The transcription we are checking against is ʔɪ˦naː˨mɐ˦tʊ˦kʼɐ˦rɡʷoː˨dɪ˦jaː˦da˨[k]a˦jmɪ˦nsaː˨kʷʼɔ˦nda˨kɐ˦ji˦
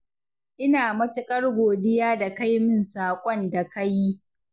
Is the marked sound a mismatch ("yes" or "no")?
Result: no